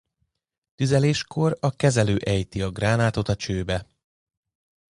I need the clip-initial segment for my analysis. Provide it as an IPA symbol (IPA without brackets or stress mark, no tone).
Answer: t̪